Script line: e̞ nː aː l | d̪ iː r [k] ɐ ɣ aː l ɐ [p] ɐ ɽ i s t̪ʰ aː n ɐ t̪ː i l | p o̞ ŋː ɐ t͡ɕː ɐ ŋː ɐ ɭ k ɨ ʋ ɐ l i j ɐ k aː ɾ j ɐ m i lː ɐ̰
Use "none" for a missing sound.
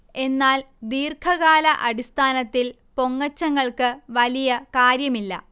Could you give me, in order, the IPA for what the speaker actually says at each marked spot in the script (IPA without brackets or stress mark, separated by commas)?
kʰ, ʔ